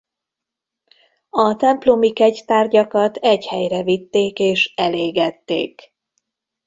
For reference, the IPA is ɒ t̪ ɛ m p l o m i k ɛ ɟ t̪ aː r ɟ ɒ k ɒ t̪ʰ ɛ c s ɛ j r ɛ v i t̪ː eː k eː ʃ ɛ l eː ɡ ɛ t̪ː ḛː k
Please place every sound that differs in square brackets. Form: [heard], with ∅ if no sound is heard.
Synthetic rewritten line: ɒ t̪ ɛ m p l o m i k ɛ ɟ t̪ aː r ɟ ɒ k ɒ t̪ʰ ɛ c [h] ɛ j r ɛ v i t̪ː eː k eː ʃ ɛ l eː ɡ ɛ t̪ː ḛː k

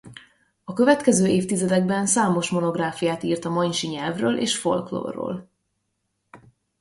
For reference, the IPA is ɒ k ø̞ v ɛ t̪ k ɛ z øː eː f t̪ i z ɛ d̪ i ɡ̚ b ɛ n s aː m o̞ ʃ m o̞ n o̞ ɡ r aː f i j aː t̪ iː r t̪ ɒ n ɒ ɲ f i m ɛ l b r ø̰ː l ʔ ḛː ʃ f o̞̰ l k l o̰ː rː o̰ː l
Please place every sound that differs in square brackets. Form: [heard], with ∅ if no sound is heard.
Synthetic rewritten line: ɒ k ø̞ v ɛ t̪ k ɛ z øː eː f t̪ i z ɛ d̪ [ɛ] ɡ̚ b ɛ n s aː m o̞ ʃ m o̞ n o̞ ɡ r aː f i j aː t̪ iː r t̪ ɒ [m] ɒ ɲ [ʃ] i [ɲ] ɛ l [v] r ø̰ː l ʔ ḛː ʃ f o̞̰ l k l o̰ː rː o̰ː l

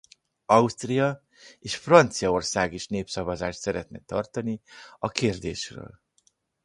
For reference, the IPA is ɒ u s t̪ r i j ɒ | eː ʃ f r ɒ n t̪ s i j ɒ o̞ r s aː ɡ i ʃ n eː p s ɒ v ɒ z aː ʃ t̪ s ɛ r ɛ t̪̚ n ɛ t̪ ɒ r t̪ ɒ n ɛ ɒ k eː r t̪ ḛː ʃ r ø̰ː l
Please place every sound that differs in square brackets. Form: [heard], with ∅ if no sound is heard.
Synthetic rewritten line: ɒ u s t̪ r i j ɒ | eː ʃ f r ɒ n t̪ s i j ɒ o̞ r s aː ɡ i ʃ n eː p s ɒ v ɒ z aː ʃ t̪ s ɛ [ɾ] ɛ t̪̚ n ɛ t̪ ɒ r t̪ ɒ n [i] ɒ k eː r [d̪] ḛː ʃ r ø̰ː l

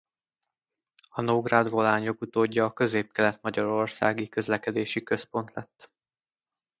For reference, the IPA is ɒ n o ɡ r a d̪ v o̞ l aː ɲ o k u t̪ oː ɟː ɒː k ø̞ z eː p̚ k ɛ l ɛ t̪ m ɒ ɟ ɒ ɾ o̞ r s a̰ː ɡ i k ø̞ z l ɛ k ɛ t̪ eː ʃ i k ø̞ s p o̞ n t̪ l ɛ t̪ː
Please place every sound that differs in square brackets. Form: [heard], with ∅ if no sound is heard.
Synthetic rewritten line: ɒ n o ɡ r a d̪ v o̞ l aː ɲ o k u t̪ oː ɟː ɒː k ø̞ z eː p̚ k ɛ l ɛ t̪ m ɒ ɟ ɒ ɾ o̞ r s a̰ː ɡ i k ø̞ z l ɛ k ɛ [d̪] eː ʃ i k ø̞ s p o̞ n t̪ l ɛ t̪ː

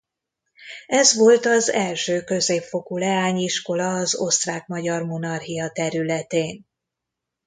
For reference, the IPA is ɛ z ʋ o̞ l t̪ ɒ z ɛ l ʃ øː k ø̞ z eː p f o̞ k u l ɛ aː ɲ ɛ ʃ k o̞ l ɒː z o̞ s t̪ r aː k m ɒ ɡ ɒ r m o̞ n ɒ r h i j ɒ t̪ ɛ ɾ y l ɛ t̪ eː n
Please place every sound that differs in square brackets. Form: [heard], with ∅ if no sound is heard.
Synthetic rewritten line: ɛ z ʋ o̞ l t̪ ɒ z ɛ l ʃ øː k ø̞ z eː p f o̞ k u l ɛ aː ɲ [i] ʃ k o̞ l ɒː z o̞ s t̪ r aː k m ɒ [ɟ] ɒ r m o̞ n ɒ r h i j ɒ t̪ ɛ ɾ y l ɛ t̪ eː n

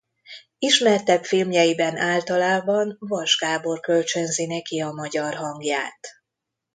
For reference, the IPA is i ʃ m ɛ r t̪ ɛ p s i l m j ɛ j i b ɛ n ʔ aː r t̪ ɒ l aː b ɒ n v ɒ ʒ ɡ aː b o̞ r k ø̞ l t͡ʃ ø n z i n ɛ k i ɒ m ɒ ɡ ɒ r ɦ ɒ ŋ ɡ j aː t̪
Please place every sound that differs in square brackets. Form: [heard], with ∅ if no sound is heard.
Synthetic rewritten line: i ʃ m ɛ r t̪ ɛ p [f] i l m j ɛ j i b ɛ n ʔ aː [l] t̪ ɒ l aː b ɒ n v ɒ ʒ ɡ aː b o̞ r k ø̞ l t͡ʃ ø n z i n ɛ k i ɒ m ɒ [ɟ] ɒ r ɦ ɒ ŋ ɡ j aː t̪

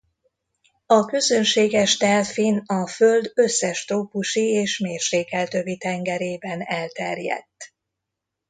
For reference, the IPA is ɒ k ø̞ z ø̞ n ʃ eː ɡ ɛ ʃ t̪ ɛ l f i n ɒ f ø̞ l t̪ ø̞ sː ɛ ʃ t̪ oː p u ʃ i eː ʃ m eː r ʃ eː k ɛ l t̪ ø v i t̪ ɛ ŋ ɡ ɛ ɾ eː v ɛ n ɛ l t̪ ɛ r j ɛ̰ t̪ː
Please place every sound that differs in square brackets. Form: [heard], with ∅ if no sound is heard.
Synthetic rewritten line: ɒ k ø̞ z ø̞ n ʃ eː ɡ ɛ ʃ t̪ ɛ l f i n ɒ f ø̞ l [d̪] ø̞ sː ɛ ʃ t̪ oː p u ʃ i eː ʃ m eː r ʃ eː k ɛ l t̪ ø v i t̪ ɛ ŋ ɡ ɛ ɾ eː [b] ɛ n ɛ l t̪ ɛ r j ɛ̰ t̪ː

